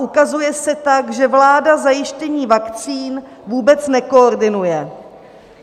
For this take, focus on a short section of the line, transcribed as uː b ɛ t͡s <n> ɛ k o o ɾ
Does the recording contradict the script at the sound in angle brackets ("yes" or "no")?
no